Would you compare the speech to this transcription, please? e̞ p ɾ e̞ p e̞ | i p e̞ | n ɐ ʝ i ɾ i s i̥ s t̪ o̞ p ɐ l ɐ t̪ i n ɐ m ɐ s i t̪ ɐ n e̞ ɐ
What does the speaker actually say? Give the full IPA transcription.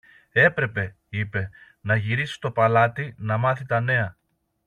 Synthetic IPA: e̞ p ɾ e̞ p e̞ | i p e̞ | n ɐ ʝ i ɾ i s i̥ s t̪ o̞ p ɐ l ɐ t̪ i n ɐ m ɐ θ i t̪ ɐ n e̞ ɐ